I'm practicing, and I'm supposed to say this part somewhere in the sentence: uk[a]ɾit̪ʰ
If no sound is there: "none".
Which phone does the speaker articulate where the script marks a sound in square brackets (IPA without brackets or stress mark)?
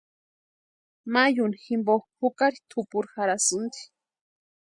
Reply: a